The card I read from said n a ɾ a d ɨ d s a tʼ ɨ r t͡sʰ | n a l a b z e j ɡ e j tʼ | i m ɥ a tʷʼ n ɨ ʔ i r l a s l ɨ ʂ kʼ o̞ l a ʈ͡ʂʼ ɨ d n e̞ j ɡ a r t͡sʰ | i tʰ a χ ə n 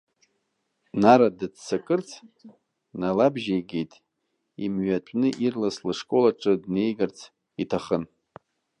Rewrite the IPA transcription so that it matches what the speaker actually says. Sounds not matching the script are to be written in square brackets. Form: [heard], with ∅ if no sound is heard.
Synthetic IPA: n a ɾ a d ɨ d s a [kʼ] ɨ r t͡sʰ | n a l a b [ʒ] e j ɡ e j tʼ | i m ɥ a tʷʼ n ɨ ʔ i r l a s l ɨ ʂ kʼ o̞ l a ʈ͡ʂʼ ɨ d n e̞ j ɡ a r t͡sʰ | i tʰ a χ ə n